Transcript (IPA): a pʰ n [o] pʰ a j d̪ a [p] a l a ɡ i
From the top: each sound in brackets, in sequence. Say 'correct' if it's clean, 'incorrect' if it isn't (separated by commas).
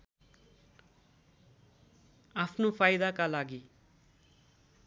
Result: correct, incorrect